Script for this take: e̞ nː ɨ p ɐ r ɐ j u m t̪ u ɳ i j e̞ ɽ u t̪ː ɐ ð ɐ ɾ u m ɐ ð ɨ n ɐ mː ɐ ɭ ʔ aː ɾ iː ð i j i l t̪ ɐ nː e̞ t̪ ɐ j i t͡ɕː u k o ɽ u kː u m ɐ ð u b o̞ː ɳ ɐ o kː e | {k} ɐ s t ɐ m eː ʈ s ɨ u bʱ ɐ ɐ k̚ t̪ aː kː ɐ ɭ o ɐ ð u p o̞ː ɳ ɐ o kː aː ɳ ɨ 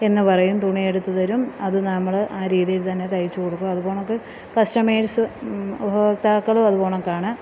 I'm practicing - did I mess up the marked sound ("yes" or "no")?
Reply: no